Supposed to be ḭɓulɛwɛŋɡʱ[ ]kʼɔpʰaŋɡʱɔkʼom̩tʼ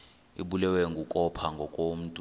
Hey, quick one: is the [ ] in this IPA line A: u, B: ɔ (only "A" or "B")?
A